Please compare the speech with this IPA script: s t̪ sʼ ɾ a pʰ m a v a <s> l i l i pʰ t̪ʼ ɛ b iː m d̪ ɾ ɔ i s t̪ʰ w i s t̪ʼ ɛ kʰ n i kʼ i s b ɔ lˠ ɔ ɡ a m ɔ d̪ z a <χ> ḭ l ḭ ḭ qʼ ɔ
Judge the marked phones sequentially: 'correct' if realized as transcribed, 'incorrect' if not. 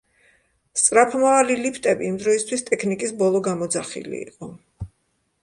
incorrect: none, correct

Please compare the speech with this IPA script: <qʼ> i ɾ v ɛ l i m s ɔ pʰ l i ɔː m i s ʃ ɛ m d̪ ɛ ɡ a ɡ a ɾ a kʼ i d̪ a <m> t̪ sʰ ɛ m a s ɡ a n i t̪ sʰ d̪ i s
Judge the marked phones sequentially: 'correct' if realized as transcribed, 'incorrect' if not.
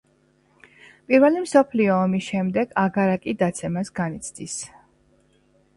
incorrect: pʼ, incorrect: none

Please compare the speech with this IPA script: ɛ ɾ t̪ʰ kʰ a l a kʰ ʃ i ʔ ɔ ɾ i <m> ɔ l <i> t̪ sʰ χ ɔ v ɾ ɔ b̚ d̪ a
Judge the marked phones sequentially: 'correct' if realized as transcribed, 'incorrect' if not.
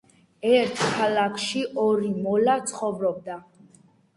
correct, incorrect: a

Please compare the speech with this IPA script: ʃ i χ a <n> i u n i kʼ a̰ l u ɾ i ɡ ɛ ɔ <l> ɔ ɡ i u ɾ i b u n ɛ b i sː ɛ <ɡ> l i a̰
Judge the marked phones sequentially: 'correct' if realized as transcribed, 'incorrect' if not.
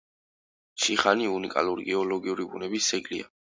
correct, correct, correct

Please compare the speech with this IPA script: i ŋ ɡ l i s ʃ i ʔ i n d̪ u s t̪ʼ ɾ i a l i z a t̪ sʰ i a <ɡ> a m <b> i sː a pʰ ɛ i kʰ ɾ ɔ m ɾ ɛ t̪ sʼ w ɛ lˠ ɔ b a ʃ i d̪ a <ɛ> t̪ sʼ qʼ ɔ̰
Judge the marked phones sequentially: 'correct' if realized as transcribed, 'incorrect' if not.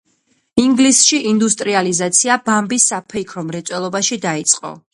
incorrect: b, correct, incorrect: i

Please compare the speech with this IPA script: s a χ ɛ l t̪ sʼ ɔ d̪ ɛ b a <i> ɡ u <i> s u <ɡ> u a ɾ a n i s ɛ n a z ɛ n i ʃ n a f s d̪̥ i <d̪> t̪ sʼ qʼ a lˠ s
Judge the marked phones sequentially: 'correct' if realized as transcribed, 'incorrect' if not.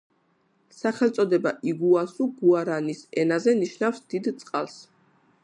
correct, incorrect: a, correct, correct

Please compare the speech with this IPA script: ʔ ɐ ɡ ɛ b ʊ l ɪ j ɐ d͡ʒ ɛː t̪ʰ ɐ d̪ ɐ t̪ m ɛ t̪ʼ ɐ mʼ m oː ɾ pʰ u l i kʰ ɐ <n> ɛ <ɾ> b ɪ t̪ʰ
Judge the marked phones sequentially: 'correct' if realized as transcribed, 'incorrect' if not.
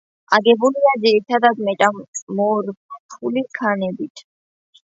correct, incorrect: none

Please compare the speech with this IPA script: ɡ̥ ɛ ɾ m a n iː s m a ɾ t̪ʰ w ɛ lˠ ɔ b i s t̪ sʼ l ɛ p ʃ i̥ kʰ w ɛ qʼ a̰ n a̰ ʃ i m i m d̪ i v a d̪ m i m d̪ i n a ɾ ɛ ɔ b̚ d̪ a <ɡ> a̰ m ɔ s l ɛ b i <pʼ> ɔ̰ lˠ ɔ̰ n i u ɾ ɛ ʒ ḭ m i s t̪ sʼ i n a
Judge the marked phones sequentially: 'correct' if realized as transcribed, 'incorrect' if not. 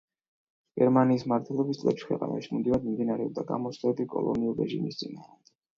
correct, incorrect: kʼ

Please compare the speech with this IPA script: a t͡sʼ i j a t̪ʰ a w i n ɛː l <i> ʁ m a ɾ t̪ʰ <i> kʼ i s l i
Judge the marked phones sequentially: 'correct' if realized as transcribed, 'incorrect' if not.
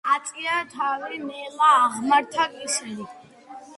incorrect: a, incorrect: a

